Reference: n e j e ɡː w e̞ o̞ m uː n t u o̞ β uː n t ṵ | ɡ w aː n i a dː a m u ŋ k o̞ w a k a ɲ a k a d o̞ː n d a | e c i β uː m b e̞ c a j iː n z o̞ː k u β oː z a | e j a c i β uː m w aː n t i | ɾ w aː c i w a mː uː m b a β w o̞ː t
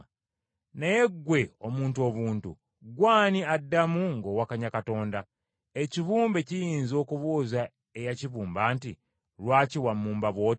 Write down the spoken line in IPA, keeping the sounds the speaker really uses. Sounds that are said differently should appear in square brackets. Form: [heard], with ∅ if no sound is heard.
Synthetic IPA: n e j e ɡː w e̞ o̞ m uː n t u o̞ β uː n t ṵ | ɡ w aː n i a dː a m u ŋ [ɡ] o̞ w a k a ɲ a k a [t] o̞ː n d a | e c i β uː m b e̞ c [i] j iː n z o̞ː k u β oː z a | e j a c i β uː m [b] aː n t i | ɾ w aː c i w a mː uː m b a β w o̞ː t